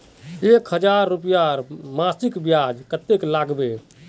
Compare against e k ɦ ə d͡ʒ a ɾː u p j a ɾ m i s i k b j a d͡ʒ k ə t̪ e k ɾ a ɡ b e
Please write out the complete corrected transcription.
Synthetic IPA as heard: e k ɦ ə d͡ʒ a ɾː u p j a ɾ m a s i k b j a d͡ʒ k ə t̪ e k l a ɡ b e